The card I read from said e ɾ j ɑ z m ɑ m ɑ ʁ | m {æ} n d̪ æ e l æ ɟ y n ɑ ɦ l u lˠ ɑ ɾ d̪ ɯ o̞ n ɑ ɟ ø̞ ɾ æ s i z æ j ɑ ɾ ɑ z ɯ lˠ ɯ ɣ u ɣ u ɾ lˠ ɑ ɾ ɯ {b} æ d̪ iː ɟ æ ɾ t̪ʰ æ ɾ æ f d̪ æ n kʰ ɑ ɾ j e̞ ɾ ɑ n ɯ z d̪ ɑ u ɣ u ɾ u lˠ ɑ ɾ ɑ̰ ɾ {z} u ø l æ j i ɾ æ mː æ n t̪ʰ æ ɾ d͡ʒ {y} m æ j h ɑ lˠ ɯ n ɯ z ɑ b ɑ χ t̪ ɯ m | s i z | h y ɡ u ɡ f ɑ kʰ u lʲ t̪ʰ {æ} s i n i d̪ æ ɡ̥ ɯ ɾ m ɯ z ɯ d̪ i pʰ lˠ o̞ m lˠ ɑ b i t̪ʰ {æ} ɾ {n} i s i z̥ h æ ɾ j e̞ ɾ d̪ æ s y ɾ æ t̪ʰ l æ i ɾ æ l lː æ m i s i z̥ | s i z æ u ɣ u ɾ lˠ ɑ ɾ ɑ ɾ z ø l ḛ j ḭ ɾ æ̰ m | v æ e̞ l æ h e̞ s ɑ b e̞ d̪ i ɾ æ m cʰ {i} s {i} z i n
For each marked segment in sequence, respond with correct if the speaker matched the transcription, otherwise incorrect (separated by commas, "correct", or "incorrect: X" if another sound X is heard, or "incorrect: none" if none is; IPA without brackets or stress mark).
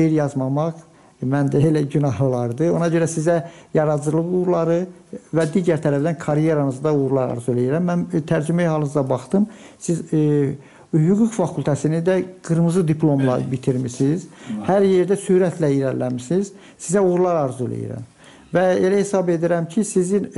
correct, incorrect: v, correct, correct, correct, incorrect: i, incorrect: m, correct, correct